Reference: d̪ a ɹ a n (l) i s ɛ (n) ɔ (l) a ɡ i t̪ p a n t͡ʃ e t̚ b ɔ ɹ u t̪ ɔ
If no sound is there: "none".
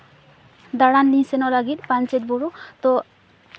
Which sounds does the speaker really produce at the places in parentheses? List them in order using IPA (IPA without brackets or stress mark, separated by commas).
l, n, l